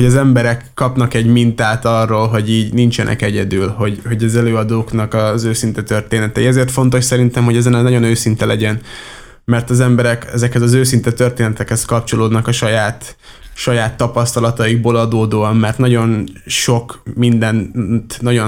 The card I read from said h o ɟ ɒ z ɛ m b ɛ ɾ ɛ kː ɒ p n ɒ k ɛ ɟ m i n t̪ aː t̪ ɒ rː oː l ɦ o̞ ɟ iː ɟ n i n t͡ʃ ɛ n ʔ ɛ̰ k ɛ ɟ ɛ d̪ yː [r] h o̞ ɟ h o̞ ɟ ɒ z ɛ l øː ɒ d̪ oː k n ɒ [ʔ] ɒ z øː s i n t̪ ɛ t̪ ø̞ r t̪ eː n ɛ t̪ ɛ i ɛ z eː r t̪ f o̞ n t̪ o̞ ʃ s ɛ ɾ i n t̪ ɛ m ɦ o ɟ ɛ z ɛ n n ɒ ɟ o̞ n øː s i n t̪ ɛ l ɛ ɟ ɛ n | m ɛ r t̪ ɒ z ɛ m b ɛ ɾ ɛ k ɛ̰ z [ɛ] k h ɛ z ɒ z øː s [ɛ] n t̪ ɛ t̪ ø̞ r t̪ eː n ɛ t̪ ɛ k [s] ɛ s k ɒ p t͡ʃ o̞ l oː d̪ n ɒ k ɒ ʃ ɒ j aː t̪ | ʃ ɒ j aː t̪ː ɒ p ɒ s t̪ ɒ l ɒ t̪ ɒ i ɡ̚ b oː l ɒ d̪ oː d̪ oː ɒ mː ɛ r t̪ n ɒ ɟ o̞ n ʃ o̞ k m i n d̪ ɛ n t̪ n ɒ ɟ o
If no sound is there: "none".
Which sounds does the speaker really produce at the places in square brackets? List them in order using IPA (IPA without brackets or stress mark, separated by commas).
l, k, ɛ, i, h